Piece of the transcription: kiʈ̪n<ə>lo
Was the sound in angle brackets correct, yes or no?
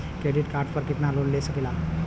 no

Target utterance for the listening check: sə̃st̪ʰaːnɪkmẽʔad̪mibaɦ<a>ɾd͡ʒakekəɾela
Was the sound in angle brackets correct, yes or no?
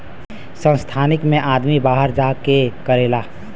no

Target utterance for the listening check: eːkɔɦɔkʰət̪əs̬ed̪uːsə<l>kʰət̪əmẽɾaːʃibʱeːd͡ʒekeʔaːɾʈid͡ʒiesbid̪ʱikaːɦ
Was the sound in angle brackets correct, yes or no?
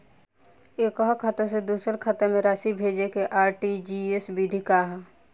no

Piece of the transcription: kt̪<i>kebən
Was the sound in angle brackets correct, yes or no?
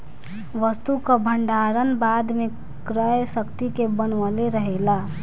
yes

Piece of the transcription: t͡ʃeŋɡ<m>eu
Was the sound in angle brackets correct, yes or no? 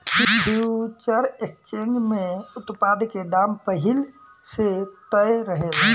yes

